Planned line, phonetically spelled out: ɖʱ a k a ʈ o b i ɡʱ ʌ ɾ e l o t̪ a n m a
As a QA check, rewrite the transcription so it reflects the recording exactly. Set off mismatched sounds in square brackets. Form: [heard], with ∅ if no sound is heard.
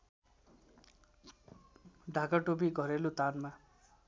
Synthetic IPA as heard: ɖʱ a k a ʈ o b i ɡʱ ʌ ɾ e l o t̪ a n m a

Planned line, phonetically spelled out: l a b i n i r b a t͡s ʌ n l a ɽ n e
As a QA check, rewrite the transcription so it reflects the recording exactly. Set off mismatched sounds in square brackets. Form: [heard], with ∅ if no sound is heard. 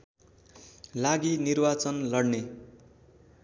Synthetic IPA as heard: l a [ɡ] i n i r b a t͡s ʌ n l [ʌ] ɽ n e

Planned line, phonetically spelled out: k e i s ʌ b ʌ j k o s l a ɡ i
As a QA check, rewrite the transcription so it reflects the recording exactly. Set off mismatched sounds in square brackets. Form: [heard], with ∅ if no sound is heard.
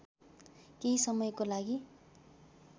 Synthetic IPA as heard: k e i s ʌ [m] ʌ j k o [∅] l a ɡ i

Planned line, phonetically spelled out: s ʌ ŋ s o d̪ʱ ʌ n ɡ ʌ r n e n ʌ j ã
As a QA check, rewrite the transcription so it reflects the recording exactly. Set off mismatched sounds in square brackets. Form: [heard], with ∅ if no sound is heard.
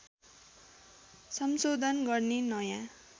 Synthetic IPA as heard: s ʌ [m] s o d̪ʱ ʌ n ɡ ʌ r n e n ʌ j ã

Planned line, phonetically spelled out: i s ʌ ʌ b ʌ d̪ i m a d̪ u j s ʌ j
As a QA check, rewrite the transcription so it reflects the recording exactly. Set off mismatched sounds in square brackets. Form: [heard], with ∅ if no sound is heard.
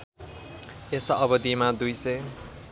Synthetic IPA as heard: [e] s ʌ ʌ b ʌ d̪ i m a d̪ u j s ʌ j

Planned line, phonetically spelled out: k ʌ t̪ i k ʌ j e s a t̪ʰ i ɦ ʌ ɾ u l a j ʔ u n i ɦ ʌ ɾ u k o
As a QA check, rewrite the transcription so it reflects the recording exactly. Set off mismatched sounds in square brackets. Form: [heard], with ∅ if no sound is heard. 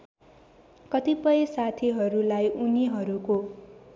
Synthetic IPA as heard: k ʌ t̪ i [p] ʌ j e s a t̪ʰ i ɦ ʌ ɾ u l a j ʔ u n i ɦ ʌ ɾ u k o

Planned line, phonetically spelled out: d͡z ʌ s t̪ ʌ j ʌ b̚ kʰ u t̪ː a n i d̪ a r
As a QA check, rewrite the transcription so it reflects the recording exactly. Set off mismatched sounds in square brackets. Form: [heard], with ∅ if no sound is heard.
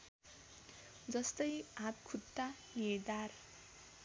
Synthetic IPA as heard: d͡z ʌ s t̪ ʌ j [a] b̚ kʰ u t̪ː a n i d̪ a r

